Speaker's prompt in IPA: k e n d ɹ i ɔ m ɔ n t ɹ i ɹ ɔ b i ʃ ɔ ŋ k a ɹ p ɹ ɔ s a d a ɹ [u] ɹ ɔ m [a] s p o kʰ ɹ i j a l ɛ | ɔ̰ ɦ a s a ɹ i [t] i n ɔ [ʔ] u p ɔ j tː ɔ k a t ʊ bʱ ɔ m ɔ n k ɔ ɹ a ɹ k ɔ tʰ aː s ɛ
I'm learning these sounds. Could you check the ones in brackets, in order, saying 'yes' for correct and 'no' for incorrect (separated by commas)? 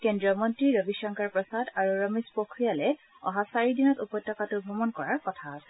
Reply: yes, no, no, no